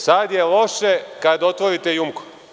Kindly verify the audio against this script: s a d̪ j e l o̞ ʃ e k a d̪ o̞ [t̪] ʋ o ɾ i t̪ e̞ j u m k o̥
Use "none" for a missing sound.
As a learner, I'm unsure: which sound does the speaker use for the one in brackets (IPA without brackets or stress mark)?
t̪